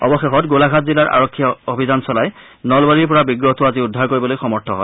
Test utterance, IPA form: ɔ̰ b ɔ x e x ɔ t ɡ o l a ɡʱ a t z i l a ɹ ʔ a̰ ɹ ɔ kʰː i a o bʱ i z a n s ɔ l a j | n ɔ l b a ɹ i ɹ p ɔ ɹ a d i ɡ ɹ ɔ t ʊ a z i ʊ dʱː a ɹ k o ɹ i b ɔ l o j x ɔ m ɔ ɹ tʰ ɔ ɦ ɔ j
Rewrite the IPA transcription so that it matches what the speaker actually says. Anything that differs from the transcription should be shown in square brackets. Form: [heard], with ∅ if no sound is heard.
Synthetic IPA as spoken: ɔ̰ b ɔ x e x ɔ t ɡ o l a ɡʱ a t z i l a ɹ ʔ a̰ ɹ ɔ kʰː i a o bʱ i z a n s ɔ l a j | n ɔ l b a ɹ i ɹ p ɔ ɹ a [b] i ɡ ɹ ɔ t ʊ a z i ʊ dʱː a ɹ k o ɹ i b ɔ l o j x ɔ m ɔ ɹ tʰ ɔ ɦ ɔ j

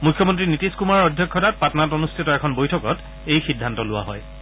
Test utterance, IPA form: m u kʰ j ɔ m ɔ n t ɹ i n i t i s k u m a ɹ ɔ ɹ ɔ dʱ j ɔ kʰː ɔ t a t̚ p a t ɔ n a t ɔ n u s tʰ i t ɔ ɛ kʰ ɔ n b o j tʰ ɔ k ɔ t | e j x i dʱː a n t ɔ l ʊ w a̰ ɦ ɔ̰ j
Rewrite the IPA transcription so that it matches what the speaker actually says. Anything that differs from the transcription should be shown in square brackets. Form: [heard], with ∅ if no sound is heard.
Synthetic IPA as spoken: m u kʰ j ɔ m ɔ n t ɹ i n i t i s k u m a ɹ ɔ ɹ ɔ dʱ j ɔ kʰː ɔ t a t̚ p a t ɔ n a t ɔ n u s tʰ i t ɔ ɛ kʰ ɔ n b o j tʰ ɔ k ɔ t | e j x i dʱː a n t ɔ l ʊ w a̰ ɦ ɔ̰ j

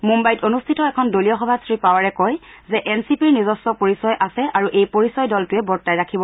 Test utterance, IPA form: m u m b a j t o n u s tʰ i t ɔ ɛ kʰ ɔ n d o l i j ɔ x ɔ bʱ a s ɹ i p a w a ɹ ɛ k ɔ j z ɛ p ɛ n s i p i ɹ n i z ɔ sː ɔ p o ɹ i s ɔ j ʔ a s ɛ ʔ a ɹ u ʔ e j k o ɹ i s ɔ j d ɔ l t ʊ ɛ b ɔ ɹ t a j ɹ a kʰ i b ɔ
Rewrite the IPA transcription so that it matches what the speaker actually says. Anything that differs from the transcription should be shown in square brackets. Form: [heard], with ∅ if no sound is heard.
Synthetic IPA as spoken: m u m b a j t o n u s tʰ i t ɔ ɛ kʰ ɔ n d o l i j ɔ x ɔ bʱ a s ɹ i p a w a ɹ ɛ k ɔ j z ɛ [ʔ] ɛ n s i p i ɹ n i z ɔ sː ɔ p o ɹ i s ɔ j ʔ a s ɛ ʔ a ɹ u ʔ e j [p] o ɹ i s ɔ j d ɔ l t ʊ ɛ b ɔ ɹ t a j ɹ a kʰ i b ɔ

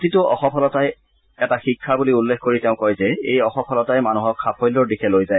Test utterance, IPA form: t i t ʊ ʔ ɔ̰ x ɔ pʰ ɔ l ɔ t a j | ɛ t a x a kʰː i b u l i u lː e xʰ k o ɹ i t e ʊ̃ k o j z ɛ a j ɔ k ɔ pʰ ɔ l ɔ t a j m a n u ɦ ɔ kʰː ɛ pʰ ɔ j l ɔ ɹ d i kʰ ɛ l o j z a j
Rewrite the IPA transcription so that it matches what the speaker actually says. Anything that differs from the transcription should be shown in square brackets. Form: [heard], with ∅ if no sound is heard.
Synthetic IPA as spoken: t i t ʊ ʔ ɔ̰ x ɔ pʰ ɔ l ɔ t a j | ɛ t a x [i] kʰː [a] b u l i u lː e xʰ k o ɹ i t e ʊ̃ k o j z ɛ [e] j ɔ [x] ɔ pʰ ɔ l ɔ t a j m a n u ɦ ɔ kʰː [a] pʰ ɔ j l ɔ ɹ d i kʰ ɛ l o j z a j

